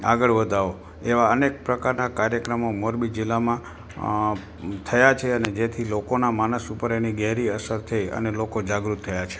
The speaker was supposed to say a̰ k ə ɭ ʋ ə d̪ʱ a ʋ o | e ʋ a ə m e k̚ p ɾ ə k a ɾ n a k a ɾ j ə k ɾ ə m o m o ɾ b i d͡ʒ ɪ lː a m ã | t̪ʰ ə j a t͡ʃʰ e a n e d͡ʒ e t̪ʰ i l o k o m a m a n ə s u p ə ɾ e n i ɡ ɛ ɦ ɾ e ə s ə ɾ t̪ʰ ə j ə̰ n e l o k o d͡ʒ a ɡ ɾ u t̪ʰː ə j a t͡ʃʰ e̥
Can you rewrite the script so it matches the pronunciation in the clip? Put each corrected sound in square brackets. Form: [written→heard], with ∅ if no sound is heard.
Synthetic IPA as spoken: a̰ [k→ɡ] ə ɭ ʋ ə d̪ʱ a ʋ o | e ʋ a ə [m→n] e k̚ p ɾ ə k a ɾ n a k a ɾ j ə k ɾ ə m o m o ɾ b i d͡ʒ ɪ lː a m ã | t̪ʰ ə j a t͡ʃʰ e [a→ə] n e d͡ʒ e t̪ʰ i l o k o [m→n] a m a n ə s u p ə ɾ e n i ɡ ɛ ɦ ɾ [e→i] ə s ə ɾ t̪ʰ ə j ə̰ n e l o k o d͡ʒ a ɡ ɾ u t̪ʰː ə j a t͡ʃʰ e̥